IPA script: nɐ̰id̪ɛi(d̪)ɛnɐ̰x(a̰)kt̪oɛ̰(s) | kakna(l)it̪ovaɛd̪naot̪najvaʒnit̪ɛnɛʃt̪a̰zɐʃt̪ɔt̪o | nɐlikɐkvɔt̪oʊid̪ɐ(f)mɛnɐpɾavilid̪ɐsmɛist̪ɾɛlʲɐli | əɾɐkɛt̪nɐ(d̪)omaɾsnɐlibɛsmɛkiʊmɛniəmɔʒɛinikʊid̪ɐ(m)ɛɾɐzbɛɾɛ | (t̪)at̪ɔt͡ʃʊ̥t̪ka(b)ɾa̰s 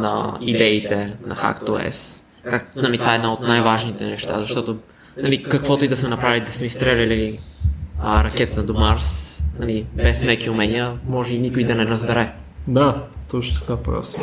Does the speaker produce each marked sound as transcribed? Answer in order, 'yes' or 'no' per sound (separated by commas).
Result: no, yes, yes, yes, no, yes, no, no, no